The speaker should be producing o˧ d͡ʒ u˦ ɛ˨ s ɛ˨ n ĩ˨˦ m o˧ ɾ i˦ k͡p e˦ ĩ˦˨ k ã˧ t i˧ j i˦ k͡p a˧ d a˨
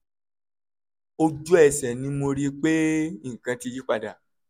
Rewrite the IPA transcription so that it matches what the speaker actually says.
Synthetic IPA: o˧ d͡ʒ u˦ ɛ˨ s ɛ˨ n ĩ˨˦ m o˧ ɾ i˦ k͡p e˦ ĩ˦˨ k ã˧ t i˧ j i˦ k͡p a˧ d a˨